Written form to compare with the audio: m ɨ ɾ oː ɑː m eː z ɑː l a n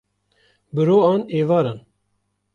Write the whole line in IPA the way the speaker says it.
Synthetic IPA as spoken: b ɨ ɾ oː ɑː n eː v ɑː ɾ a n